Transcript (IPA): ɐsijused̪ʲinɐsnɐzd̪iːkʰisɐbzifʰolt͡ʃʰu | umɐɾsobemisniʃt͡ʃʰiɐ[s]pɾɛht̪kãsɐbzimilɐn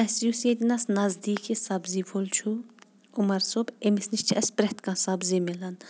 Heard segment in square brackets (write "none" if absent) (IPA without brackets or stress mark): s